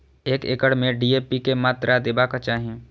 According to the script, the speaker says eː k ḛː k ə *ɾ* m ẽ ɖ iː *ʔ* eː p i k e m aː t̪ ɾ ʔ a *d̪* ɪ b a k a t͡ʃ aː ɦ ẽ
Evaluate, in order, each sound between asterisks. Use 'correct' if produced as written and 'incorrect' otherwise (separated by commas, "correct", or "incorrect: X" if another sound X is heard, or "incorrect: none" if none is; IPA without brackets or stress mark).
incorrect: ɽ, incorrect: none, correct